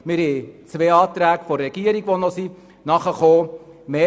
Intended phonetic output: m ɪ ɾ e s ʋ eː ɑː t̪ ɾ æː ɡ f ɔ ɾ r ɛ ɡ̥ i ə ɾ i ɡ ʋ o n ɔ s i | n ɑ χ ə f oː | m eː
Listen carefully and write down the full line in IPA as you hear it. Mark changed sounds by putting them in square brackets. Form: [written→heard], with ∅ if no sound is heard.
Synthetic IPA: m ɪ ɾ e [s→t͡s] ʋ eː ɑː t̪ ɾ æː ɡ f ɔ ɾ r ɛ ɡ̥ i ə ɾ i ɡ ʋ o n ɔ s i | n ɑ χ ə [f→χ] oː | m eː